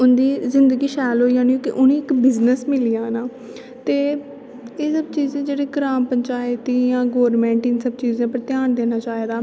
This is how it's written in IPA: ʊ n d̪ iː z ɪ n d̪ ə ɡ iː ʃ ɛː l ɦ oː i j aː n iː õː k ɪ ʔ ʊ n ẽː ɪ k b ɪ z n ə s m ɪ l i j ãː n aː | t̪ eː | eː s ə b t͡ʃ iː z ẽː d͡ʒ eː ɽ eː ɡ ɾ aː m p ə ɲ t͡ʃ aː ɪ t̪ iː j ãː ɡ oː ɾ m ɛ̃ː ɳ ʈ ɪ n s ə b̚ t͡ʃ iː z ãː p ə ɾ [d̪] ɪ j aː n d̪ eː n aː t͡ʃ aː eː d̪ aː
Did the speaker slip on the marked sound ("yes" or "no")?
yes